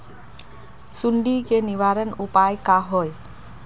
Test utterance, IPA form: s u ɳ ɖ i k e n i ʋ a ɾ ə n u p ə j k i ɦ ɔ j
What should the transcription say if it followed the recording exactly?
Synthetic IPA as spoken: s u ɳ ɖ i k e n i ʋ a ɾ ə n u p a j k a ɦ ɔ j